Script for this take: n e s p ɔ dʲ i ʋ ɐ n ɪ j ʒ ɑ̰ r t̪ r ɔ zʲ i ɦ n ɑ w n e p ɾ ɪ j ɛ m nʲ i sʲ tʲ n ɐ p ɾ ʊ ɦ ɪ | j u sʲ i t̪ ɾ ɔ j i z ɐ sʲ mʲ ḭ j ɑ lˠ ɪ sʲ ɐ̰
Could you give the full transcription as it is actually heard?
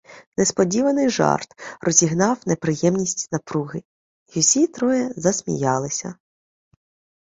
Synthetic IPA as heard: n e s p ɔ dʲ i ʋ ɐ n ɪ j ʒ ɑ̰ r t̪ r ɔ zʲ i ɦ n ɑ w n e p ɾ ɪ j ɛ m nʲ i sʲ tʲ n ɐ p ɾ u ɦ ɪ | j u sʲ i t̪ ɾ ɔ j ɛ z ɐ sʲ mʲ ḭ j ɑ lˠ ɪ sʲ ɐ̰